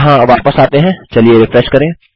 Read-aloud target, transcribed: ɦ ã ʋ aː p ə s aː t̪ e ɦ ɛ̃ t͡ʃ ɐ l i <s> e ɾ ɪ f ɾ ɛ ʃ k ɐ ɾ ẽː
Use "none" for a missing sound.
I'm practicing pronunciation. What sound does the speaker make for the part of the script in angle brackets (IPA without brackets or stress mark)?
none